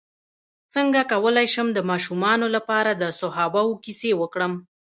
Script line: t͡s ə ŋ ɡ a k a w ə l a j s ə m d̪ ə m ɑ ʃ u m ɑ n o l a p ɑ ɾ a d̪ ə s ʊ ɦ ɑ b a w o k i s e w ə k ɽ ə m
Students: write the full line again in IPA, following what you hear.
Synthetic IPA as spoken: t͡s ə ŋ ɡ a k a w ə l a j ʃ ə m d̪ ə m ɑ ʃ u m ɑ n o l a p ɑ ɾ a d̪ ə s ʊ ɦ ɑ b a w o k i s e w ə k ɽ ə m

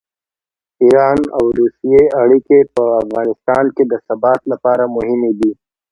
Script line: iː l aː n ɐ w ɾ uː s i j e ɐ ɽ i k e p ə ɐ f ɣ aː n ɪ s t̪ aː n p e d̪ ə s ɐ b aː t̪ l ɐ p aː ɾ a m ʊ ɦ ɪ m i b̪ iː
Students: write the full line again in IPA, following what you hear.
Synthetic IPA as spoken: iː ɾ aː n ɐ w ɾ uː s i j e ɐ ɽ i k e p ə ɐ f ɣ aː n ɪ s t̪ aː n k e d̪ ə s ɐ b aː t̪ l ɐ p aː ɾ a m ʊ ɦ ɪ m i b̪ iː

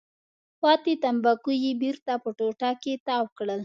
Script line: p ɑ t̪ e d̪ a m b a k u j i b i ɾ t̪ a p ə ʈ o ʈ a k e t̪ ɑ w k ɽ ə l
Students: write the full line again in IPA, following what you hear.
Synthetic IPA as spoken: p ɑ t̪ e t̪ a m b a k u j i b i ɾ t̪ a p ə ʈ o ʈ a k e t̪ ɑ w k ɽ ə l

